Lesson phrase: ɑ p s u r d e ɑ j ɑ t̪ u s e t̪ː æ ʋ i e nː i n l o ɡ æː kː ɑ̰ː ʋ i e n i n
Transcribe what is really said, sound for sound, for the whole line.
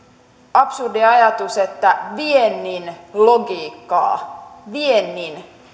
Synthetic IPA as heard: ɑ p s u r d i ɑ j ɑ t̪ u s e t̪ː æ ʋ i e nː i n l o ɡ iː kː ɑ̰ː ʋ i e nː i n